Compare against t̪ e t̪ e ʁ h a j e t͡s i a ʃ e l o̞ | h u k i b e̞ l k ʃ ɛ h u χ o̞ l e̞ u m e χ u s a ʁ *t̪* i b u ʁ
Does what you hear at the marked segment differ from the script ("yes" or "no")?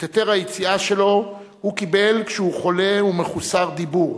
yes